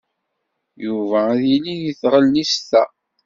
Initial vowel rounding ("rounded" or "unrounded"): rounded